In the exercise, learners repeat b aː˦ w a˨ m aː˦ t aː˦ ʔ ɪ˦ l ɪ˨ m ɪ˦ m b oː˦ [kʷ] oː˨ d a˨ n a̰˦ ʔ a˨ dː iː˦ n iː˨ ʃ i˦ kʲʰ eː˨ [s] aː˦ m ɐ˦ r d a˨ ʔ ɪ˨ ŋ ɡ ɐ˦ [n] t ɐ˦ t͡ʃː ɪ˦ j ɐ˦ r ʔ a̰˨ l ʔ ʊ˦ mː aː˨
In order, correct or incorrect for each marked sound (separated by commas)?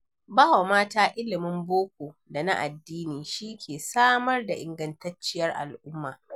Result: correct, correct, correct